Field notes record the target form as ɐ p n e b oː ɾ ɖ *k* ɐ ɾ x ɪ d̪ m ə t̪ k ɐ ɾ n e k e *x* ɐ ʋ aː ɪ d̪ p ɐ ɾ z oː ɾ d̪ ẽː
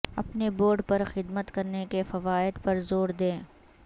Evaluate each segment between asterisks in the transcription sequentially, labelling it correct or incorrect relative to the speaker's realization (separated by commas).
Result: incorrect, incorrect